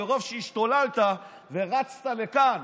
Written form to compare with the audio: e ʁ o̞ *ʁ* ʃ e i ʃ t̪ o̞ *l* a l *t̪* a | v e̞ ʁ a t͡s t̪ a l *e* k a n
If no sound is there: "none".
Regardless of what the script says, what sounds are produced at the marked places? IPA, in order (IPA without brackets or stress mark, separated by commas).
v, l, t̪, e